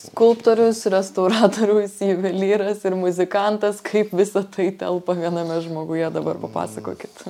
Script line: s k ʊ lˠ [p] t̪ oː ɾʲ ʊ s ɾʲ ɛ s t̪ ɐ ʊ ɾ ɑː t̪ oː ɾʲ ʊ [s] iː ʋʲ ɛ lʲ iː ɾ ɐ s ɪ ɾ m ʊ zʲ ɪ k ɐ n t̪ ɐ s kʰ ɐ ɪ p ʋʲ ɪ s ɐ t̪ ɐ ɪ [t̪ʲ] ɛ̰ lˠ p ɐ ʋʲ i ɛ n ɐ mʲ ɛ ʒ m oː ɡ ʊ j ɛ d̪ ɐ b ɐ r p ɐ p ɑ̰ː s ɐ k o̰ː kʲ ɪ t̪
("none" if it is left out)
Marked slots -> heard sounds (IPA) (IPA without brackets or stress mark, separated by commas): p, s, t̪ʲ